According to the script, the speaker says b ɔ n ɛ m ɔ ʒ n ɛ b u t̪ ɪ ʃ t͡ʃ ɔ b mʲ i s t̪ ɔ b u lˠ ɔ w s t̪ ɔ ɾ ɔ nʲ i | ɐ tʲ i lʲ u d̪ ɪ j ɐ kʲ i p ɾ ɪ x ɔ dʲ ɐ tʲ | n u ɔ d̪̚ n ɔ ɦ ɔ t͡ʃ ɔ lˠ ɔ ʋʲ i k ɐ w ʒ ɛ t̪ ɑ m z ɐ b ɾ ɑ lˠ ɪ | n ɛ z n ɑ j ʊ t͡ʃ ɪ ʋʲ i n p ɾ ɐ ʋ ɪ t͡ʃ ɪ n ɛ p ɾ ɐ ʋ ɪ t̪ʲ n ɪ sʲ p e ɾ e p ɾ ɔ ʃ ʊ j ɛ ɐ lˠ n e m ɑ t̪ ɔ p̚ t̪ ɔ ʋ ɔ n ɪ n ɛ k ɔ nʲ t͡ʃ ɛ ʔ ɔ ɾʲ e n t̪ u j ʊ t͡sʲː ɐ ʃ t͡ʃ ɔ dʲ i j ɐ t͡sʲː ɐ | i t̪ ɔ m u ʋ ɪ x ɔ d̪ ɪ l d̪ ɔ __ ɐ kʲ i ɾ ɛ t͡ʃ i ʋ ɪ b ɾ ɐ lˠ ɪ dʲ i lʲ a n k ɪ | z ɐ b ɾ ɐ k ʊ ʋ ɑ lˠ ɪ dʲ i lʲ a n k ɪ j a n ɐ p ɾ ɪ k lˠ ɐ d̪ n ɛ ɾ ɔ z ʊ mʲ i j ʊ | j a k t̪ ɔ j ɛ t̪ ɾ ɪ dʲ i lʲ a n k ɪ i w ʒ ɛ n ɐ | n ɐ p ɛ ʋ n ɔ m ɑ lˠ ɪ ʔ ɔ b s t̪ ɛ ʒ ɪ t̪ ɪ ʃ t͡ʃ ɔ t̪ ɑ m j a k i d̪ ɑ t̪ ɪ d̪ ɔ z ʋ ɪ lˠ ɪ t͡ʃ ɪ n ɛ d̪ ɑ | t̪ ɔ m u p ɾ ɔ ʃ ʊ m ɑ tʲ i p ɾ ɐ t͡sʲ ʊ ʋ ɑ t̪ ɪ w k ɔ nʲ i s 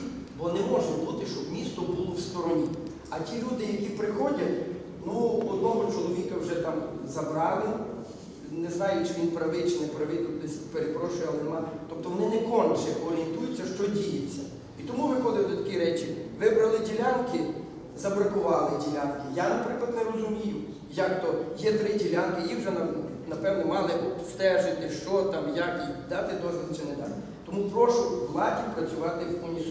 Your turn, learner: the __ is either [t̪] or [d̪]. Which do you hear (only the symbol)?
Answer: t̪